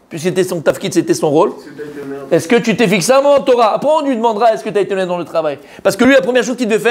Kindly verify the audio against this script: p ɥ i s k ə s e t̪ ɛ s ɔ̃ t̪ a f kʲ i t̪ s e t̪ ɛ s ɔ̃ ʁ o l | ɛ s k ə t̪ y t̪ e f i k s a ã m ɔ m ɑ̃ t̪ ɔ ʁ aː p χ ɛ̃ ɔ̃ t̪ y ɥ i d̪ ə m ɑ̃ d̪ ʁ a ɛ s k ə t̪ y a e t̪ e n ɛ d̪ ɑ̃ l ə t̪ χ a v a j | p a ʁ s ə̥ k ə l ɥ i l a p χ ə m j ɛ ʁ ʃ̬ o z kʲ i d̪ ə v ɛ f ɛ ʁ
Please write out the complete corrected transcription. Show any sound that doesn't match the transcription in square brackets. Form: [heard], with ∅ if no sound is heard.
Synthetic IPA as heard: p ɥ i s k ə s e t̪ ɛ s ɔ̃ t̪ a f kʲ i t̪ s e t̪ ɛ s ɔ̃ ʁ o l | ɛ s k ə t̪ y t̪ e f i k s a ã m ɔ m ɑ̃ t̪ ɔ ʁ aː p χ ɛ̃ ɔ̃ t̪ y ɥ i d̪ ə m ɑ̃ d̪ ʁ a ɛ s k ə t̪ y a e t̪ e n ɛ d̪ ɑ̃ l ə t̪ χ a v a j | p a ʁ s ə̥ k ə l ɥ i l a p χ ə m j ɛ ʁ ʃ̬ o z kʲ i d̪ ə v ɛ f ɛ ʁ